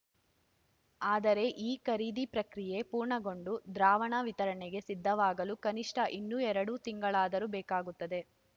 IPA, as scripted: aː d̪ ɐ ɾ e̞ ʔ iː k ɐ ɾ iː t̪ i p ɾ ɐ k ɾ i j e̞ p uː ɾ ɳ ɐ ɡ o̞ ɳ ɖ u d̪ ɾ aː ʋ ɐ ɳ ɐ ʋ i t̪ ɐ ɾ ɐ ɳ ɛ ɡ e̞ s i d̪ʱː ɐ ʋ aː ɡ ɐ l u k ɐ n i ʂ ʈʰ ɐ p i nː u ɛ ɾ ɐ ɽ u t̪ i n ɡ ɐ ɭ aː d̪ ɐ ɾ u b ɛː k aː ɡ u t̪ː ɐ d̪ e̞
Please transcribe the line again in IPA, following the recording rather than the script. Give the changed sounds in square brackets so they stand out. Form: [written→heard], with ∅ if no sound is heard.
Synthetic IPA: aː d̪ ɐ ɾ e̞ ʔ iː k ɐ ɾ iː [t̪→d̪] i p ɾ ɐ k ɾ i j e̞ p uː ɾ ɳ ɐ ɡ o̞ ɳ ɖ u d̪ ɾ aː ʋ ɐ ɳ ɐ ʋ i t̪ ɐ ɾ ɐ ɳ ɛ ɡ e̞ s i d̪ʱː ɐ ʋ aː ɡ ɐ l u k ɐ n i ʂ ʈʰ ɐ [p→ʔ] i nː u ɛ ɾ ɐ ɽ u t̪ i [n→ŋ] ɡ ɐ ɭ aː d̪ ɐ ɾ u b ɛː k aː ɡ u t̪ː ɐ d̪ e̞